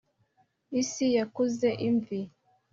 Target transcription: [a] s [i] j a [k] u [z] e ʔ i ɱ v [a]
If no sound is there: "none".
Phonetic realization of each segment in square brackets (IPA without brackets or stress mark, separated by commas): i, i, k, z, i